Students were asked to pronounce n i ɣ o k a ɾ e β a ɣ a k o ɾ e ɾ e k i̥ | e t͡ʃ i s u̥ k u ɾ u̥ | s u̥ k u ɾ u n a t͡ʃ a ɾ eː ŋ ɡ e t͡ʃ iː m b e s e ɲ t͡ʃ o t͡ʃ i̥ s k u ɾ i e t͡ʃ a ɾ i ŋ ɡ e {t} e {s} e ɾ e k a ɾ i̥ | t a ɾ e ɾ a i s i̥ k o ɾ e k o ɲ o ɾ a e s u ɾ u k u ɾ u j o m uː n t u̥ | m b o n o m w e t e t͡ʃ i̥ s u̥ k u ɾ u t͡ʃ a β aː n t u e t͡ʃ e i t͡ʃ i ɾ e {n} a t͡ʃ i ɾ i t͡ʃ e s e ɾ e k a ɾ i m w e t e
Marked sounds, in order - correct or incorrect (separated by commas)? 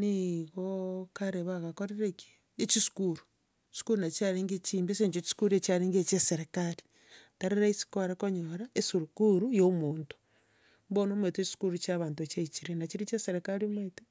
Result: incorrect, correct, correct